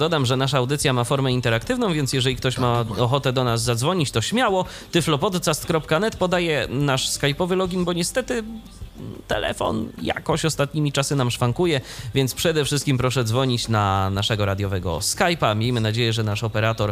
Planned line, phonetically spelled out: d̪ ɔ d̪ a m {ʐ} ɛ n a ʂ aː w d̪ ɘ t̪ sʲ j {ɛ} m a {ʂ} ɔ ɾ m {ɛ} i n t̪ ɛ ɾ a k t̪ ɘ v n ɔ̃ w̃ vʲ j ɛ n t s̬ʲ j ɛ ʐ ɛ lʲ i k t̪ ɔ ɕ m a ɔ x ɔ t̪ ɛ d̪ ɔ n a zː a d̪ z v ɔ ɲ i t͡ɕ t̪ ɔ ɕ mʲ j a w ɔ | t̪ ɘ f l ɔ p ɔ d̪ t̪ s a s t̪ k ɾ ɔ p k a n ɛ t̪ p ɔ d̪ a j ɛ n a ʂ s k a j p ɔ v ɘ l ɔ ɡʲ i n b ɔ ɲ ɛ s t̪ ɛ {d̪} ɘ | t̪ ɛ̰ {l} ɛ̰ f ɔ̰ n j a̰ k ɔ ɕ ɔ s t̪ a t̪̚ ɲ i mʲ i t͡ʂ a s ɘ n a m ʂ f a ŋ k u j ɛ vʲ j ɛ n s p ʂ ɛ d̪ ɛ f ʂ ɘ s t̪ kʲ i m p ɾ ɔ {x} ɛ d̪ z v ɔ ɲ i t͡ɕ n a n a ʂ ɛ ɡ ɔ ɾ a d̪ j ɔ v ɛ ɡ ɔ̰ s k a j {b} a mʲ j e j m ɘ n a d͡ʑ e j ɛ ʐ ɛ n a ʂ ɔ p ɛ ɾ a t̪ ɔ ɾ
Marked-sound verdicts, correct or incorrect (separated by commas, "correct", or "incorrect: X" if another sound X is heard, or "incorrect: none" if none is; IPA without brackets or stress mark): correct, incorrect: a, incorrect: f, correct, incorrect: t̪, correct, incorrect: ʂ, incorrect: p